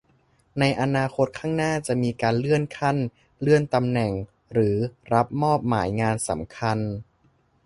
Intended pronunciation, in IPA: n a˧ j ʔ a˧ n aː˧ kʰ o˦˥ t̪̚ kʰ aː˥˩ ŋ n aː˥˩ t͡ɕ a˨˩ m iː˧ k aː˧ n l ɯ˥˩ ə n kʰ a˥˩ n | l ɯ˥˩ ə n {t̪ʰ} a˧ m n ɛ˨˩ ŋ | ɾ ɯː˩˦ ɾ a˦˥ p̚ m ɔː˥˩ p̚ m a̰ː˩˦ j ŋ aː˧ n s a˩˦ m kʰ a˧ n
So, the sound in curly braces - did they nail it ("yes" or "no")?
no